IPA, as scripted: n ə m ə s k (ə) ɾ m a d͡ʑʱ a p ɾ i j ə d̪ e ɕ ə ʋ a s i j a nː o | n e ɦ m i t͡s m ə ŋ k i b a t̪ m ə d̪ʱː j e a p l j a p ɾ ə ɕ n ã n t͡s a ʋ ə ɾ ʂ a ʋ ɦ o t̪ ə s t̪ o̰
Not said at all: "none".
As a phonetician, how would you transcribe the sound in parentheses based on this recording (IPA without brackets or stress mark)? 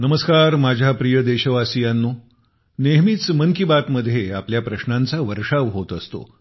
a